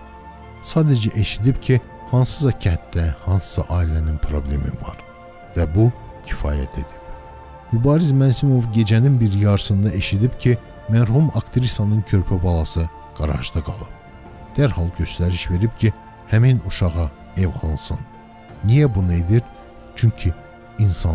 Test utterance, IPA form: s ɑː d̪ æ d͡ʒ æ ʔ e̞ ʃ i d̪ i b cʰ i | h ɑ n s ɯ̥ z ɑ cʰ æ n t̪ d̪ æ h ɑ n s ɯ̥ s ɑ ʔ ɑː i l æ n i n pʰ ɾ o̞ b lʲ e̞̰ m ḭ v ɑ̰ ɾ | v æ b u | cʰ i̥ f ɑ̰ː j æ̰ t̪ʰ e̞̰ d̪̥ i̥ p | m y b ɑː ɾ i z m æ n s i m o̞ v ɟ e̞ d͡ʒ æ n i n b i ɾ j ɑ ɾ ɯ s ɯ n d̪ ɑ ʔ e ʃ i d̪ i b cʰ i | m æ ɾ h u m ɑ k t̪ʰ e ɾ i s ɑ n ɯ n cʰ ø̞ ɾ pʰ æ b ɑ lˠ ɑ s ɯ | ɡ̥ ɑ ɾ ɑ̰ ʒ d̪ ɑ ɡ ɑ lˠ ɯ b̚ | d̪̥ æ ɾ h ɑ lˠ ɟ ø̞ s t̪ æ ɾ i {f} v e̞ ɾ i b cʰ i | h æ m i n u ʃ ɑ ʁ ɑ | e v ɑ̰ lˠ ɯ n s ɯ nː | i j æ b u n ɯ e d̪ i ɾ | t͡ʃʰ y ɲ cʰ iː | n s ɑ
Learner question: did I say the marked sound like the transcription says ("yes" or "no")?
no